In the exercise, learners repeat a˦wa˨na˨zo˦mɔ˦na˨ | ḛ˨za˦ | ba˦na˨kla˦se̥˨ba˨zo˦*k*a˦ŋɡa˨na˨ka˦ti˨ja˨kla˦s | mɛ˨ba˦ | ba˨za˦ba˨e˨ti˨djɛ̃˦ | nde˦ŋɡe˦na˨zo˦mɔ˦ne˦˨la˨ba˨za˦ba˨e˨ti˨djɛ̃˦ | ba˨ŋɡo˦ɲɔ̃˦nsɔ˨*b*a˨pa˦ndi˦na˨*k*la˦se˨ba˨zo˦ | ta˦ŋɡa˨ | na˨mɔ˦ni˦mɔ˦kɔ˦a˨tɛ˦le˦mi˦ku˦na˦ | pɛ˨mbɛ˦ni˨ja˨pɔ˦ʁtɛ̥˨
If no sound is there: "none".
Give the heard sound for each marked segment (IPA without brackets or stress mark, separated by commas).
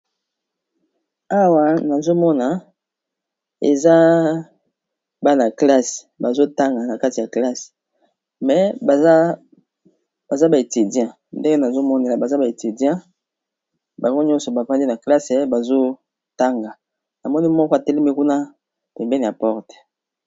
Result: t, b, k